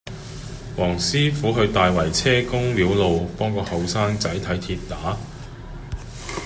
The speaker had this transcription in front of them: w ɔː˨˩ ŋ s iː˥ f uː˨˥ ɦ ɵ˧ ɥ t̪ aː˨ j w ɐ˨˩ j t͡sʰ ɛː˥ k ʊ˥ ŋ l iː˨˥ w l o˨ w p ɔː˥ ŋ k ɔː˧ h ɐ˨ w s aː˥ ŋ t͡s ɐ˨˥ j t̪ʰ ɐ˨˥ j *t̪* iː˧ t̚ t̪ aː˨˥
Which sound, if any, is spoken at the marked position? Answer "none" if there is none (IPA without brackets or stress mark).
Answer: t̪ʰ